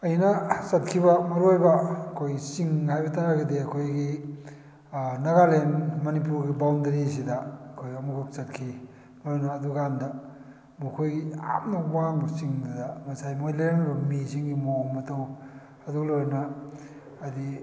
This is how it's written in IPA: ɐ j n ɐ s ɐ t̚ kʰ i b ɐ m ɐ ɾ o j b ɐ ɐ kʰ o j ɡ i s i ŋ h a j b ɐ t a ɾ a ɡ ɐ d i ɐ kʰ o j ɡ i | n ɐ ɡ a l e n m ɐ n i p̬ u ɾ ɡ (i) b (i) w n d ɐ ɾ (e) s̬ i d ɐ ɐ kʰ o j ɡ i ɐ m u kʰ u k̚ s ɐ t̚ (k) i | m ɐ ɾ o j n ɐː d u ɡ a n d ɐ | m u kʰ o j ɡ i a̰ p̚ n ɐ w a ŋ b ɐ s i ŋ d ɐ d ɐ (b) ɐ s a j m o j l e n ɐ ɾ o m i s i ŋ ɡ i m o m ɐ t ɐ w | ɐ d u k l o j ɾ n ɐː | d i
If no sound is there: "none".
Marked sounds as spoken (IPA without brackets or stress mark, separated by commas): i, a, i, kʰ, m